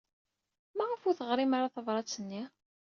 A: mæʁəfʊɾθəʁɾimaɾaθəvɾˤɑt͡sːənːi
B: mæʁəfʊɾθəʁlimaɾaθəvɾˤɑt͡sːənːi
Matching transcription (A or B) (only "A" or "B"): A